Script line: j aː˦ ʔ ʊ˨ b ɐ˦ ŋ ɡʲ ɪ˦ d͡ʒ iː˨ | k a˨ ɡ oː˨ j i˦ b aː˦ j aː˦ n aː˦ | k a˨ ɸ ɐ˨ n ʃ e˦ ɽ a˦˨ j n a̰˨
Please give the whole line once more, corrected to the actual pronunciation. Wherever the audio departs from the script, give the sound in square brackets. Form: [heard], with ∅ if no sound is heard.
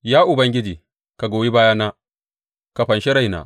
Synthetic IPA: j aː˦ ʔ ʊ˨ b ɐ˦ ŋ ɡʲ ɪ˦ d͡ʒ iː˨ | k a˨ ɡ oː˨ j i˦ b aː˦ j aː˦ n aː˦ | k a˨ ɸ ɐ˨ n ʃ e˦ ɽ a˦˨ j n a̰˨